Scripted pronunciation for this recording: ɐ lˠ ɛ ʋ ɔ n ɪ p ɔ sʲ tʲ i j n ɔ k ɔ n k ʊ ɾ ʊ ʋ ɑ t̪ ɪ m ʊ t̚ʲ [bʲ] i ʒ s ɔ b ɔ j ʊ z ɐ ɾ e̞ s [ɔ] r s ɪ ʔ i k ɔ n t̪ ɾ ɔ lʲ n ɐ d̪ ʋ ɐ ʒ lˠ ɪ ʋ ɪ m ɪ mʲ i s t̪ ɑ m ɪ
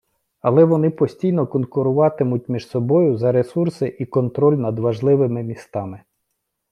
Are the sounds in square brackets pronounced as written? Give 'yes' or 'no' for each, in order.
no, no

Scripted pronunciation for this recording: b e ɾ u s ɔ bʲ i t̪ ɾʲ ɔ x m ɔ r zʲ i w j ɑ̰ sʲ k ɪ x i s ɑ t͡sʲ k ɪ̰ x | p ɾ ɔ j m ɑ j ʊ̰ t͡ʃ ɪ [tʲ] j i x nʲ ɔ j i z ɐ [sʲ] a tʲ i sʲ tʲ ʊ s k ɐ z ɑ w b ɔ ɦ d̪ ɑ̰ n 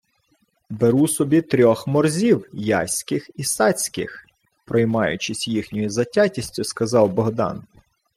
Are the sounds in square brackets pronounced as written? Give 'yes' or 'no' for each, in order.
no, no

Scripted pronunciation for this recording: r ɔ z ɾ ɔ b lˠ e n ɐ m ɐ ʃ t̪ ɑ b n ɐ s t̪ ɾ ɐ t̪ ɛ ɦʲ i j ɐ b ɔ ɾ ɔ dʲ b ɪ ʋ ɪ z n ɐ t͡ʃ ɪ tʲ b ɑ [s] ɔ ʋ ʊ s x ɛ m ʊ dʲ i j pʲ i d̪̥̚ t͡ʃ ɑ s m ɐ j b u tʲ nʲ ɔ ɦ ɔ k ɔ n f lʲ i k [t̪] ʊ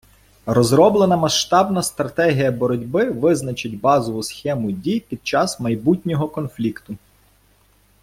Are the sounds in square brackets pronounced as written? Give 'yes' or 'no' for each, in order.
no, yes

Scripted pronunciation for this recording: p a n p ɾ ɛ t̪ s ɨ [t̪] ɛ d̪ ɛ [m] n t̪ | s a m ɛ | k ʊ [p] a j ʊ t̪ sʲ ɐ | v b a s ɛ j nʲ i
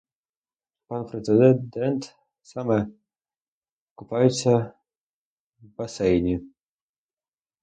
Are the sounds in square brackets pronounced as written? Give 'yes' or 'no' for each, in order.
no, no, yes

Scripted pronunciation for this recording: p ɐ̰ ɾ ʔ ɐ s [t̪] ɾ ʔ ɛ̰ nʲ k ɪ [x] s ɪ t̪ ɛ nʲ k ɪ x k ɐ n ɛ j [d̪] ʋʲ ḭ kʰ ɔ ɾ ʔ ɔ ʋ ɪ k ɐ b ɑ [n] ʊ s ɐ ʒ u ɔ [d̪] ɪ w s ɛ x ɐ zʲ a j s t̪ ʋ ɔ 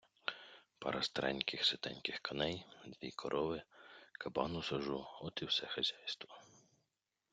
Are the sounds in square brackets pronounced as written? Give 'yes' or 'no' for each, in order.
yes, yes, yes, yes, no

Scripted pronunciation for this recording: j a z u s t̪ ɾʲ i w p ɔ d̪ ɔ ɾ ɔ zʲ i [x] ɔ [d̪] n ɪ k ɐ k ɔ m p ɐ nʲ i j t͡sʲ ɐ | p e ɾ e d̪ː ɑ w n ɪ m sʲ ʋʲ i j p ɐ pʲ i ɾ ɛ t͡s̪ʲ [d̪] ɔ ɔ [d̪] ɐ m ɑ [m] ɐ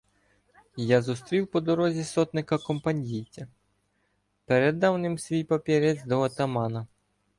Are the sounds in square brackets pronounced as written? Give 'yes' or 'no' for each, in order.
no, no, yes, no, no

